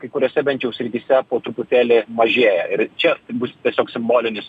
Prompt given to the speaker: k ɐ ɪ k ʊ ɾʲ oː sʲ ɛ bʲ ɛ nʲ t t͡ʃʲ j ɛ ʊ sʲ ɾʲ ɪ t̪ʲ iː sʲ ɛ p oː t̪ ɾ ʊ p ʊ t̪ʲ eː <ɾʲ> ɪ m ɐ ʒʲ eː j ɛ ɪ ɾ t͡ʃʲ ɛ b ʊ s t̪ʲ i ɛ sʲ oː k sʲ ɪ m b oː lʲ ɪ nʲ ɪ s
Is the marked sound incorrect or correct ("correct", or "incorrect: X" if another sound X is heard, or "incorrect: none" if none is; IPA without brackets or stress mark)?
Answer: incorrect: lʲ